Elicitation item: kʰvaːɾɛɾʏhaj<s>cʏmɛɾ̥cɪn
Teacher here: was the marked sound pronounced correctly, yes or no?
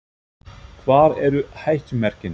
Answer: no